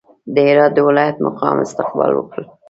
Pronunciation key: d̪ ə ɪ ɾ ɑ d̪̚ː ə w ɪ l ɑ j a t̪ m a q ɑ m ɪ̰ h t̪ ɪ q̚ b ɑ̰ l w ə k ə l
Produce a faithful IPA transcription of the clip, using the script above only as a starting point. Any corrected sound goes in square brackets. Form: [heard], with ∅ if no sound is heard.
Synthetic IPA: d̪ ə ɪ ɾ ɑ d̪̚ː ə w ɪ l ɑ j a t̪ m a q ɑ m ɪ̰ [s] t̪ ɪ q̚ b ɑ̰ l w ə k ə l